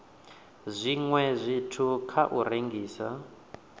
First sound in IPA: zʷ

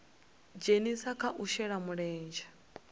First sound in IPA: d͡ʒ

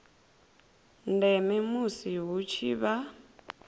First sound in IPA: n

